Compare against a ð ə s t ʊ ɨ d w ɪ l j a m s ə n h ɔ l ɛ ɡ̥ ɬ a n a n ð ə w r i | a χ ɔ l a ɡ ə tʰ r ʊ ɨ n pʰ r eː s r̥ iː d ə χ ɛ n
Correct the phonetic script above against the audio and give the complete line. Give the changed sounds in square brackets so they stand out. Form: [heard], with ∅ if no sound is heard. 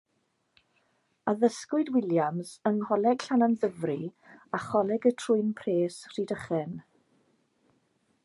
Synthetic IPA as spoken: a ð ə s [k] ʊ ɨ d w ɪ l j a m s ə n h ɔ l ɛ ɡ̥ ɬ a n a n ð ə [v] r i | a χ ɔ l [ɛ] ɡ ə tʰ r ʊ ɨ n pʰ r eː s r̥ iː d ə χ ɛ n

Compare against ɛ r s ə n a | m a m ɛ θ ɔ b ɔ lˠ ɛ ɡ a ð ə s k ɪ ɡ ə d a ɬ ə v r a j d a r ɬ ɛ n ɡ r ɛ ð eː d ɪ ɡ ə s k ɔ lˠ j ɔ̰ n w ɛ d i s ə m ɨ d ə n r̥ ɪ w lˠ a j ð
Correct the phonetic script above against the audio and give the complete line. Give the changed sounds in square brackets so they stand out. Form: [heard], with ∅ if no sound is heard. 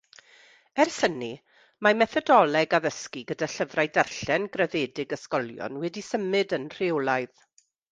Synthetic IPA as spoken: ɛ r s ə n [i] | m a m ɛ θ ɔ [d] ɔ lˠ ɛ ɡ a ð ə s k [i] ɡ ə d a ɬ ə v r a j d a r ɬ ɛ n ɡ r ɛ ð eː d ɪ ɡ ə s k ɔ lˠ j ɔ̰ n w ɛ d i s ə m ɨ d ə n r̥ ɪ w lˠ a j ð

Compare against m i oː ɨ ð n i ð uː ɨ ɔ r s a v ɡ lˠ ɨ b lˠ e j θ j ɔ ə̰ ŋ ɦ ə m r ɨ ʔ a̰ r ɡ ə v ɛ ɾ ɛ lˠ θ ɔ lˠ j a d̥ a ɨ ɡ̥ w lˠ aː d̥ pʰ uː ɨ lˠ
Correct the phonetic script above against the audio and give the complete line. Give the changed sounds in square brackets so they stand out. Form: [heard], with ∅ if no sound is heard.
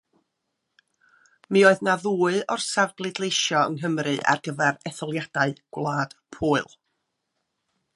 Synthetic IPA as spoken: m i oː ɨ ð n [a] ð uː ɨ ɔ r s a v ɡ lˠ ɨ [d] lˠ e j [ʃ] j ɔ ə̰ ŋ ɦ ə m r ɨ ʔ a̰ r ɡ ə v ɛ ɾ ɛ [∅] θ ɔ lˠ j a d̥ a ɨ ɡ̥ w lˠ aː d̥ pʰ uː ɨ lˠ

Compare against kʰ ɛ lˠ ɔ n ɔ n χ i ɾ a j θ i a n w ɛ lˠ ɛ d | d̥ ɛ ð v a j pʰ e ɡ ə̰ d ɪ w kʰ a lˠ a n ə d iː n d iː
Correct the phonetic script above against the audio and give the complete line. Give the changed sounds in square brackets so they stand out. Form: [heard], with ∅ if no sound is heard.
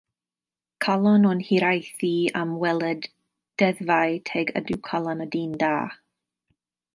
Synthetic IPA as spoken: kʰ [a] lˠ ɔ n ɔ n [h] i ɾ a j θ i a [m] w ɛ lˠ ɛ d | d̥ ɛ ð v a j [tʰ] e ɡ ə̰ d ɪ w kʰ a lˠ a n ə d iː n d [aː]

